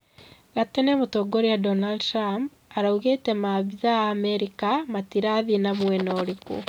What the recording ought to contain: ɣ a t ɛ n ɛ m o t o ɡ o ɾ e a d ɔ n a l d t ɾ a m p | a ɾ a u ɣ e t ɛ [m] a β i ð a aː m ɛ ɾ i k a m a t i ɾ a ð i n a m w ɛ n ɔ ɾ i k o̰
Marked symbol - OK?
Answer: yes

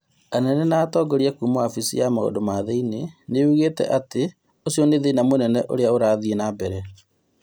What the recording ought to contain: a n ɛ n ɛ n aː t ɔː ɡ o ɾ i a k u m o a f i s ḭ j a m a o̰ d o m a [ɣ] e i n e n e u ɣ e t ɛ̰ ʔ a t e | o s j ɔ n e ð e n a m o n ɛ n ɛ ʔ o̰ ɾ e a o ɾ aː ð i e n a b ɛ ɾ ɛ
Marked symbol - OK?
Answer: no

